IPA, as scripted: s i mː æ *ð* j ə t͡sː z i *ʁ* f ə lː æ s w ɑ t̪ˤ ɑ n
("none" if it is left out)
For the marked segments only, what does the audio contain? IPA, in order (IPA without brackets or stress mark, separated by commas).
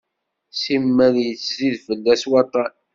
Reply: ð, ð